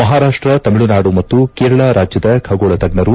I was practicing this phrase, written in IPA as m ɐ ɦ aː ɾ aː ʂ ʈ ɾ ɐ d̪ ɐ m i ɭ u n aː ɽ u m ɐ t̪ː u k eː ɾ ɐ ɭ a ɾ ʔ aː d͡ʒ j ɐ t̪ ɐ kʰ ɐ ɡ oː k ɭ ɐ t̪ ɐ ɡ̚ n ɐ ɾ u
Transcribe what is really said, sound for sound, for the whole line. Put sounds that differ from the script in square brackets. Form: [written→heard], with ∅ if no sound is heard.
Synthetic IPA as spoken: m ɐ ɦ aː ɾ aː ʂ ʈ ɾ ɐ [d̪→t̪] ɐ m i ɭ u n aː ɽ u m ɐ t̪ː u k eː ɾ ɐ ɭ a ɾ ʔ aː d͡ʒ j ɐ [t̪→d̪] ɐ kʰ ɐ ɡ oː [k→∅] ɭ ɐ t̪ ɐ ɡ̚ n ɐ ɾ u